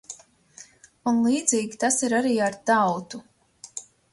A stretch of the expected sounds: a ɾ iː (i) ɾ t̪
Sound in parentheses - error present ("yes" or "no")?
yes